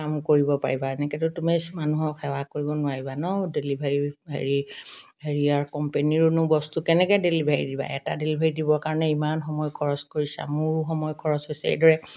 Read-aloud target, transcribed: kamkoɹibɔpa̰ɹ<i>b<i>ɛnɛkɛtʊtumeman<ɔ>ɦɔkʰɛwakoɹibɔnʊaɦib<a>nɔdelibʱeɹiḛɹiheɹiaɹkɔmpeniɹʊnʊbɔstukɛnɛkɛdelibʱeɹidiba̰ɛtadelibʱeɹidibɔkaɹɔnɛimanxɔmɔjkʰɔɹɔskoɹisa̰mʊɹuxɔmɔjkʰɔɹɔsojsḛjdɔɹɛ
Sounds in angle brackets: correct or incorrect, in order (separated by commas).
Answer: correct, incorrect, incorrect, correct